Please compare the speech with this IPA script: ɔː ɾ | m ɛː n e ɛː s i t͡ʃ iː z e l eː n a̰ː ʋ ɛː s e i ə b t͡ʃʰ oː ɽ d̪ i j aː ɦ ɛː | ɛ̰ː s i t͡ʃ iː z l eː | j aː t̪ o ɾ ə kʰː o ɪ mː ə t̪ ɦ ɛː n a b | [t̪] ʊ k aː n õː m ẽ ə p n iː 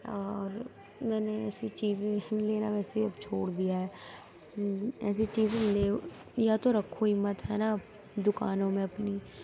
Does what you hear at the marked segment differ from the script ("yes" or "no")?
yes